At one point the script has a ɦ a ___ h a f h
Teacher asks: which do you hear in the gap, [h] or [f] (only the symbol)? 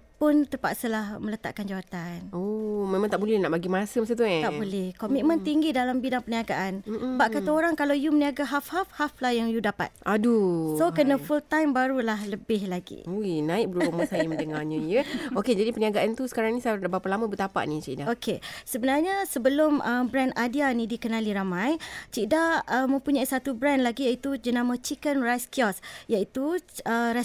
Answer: f